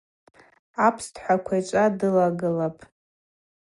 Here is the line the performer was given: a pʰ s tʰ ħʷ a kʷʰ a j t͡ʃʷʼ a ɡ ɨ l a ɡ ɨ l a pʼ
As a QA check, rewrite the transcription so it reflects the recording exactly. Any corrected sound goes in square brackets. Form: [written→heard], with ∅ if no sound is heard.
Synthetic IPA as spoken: a pʰ s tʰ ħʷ a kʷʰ a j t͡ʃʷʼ a [ɡ→d] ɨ l a ɡ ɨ l a pʼ